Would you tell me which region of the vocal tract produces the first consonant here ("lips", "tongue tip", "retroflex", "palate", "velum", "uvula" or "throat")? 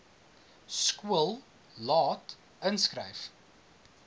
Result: tongue tip